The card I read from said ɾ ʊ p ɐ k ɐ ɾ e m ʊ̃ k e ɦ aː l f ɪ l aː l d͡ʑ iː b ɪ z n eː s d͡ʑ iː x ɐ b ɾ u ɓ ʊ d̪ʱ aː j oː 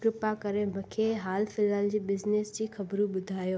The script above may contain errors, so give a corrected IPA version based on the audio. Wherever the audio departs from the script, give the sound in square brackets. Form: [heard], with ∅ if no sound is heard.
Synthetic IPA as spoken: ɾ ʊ p [a] k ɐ ɾ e m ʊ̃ [kʰ] e ɦ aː l f ɪ l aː l d͡ʑ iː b ɪ z n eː s d͡ʑ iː x ɐ b ɾ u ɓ ʊ d̪ʱ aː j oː